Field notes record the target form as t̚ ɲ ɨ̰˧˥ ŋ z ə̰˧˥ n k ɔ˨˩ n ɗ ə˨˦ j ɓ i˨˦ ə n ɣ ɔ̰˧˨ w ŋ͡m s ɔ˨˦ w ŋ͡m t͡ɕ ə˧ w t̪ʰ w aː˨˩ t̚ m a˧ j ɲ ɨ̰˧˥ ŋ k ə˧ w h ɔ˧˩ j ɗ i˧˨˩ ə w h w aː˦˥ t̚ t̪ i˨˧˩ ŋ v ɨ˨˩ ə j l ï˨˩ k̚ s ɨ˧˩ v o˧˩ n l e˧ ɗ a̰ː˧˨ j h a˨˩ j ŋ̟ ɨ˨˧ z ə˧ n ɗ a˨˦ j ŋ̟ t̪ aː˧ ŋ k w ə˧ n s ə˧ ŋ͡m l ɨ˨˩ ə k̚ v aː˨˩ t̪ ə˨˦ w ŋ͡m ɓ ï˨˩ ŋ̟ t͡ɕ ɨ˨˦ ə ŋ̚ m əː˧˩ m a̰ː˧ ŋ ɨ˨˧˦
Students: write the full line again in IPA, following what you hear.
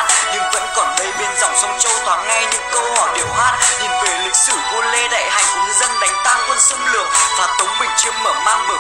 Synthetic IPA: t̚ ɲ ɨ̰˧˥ ŋ v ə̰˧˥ n k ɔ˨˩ n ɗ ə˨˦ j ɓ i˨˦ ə n z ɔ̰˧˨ w ŋ͡m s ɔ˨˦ w ŋ͡m t͡ɕ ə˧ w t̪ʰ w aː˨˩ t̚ ŋ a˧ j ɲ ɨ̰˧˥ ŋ k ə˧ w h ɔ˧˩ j ɗ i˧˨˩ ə w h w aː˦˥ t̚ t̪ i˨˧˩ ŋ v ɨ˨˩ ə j l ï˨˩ k̚ s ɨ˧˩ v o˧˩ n l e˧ ɗ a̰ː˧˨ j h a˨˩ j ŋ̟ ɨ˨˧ z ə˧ n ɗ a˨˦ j ŋ̟ t̪ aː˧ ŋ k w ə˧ n s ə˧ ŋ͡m l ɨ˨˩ ə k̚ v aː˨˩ t̪ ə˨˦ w ŋ͡m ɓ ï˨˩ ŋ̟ t͡ɕ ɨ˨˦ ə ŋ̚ m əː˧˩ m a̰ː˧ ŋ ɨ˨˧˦

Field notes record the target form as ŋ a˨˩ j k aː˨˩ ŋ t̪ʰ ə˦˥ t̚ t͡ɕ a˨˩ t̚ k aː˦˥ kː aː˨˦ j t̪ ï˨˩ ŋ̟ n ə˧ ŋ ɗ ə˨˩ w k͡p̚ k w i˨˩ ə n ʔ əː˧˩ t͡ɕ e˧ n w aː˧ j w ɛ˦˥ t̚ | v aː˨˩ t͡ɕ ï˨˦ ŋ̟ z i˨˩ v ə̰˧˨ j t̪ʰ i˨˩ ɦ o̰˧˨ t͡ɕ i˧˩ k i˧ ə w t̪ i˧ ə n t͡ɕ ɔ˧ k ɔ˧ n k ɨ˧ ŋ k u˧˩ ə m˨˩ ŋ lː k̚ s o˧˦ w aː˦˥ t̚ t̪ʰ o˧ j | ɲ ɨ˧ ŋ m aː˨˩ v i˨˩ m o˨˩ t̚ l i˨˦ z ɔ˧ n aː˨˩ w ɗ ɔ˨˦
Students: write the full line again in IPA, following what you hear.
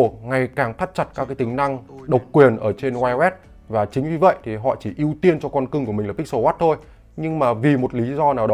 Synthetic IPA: ŋ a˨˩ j k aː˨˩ ŋ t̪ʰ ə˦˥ t̚ t͡ɕ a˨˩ t̚ k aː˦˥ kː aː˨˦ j t̪ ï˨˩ ŋ̟ n a˧ ŋ ɗ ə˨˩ w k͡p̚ k w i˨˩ ə n ʔ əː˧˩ t͡ɕ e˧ n w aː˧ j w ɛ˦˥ t̚ | v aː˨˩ t͡ɕ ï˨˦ ŋ̟ v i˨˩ v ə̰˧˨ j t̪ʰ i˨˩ ɦ ɔ̰˧˨ t͡ɕ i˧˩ ʔ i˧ ə w t̪ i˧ ə n t͡ɕ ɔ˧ k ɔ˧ n k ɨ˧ ŋ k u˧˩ ə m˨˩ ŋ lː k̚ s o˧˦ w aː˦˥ t̚ t̪ʰ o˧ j | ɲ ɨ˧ ŋ m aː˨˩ v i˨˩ m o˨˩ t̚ l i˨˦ z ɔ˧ n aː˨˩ w ɗ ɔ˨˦

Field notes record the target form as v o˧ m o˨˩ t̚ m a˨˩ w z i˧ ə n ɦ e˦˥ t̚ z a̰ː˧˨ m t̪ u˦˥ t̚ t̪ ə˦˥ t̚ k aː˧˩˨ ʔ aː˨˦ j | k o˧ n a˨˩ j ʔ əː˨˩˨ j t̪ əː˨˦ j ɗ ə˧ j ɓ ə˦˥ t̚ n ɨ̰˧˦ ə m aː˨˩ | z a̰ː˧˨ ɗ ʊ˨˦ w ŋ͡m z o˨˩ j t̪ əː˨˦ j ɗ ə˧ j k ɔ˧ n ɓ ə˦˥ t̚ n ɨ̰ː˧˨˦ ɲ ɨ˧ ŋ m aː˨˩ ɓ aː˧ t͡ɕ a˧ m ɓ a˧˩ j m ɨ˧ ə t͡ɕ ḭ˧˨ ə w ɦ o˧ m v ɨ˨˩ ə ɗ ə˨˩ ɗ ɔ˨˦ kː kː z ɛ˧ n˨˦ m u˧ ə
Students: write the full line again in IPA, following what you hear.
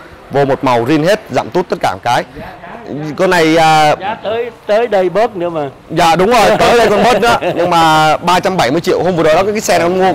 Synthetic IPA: v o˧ m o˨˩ t̚ m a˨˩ w z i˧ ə n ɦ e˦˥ t̚ z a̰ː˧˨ m t̪ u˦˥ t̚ t̪ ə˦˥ t̚ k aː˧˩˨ k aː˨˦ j | k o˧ n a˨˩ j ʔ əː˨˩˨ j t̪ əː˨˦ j ɗ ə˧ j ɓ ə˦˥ t̚ n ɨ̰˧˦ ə m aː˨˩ | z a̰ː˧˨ ɗ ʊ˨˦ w ŋ͡m z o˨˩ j t̪ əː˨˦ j ɗ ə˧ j k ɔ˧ n ɓ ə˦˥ t̚ n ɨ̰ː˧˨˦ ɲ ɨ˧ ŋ m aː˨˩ ɓ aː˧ t͡ɕ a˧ m ɓ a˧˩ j m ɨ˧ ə t͡ɕ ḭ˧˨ ə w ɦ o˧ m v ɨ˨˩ ə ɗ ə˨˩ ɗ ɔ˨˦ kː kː s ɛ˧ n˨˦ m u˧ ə

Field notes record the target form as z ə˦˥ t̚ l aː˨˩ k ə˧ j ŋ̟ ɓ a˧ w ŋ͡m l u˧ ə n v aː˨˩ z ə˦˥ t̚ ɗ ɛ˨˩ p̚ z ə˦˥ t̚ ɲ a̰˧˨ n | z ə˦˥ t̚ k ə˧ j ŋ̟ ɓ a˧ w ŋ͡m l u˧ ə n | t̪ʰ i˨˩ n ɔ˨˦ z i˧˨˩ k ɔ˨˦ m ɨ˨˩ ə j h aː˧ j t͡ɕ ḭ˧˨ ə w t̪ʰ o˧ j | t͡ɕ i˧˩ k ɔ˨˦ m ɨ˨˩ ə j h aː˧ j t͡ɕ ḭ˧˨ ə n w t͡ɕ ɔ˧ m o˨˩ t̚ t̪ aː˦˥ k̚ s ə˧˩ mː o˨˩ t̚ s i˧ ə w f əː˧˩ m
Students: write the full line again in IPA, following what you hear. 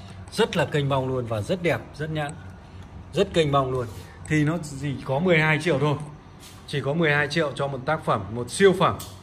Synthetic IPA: z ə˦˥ t̚ l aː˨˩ k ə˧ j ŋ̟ ɓ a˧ w ŋ͡m l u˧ ə n v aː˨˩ z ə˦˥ t̚ ɗ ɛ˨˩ p̚ z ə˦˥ t̚ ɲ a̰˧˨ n | z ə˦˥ t̚ k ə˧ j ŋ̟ ɓ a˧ w ŋ͡m l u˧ ə n | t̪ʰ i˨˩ n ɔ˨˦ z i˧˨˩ k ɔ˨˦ m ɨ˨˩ ə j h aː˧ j t͡ɕ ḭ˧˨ ə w t̪ʰ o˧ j | t͡ɕ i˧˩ k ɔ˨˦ m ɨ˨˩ ə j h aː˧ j t͡ɕ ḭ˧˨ ə w t͡ɕ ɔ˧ m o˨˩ t̚ t̪ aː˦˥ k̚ f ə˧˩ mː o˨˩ t̚ s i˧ ə w f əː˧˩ m

